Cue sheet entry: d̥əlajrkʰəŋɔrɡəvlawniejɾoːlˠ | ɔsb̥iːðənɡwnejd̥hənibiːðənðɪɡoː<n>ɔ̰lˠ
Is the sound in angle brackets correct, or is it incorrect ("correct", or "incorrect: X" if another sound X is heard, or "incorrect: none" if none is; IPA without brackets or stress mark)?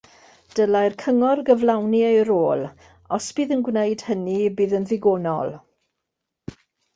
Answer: correct